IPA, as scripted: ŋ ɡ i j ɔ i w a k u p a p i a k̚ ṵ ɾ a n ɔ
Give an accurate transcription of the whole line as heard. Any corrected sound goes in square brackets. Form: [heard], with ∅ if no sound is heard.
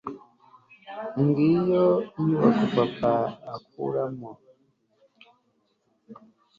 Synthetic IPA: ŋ ɡ i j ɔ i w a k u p a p [a] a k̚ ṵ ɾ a [m] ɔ